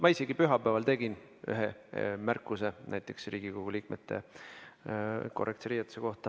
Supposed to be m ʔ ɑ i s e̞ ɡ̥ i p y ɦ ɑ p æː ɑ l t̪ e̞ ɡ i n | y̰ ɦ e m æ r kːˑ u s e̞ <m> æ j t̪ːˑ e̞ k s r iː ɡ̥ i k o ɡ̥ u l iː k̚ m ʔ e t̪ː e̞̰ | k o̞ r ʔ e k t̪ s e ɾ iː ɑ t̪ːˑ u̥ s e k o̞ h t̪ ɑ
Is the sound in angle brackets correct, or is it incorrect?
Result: incorrect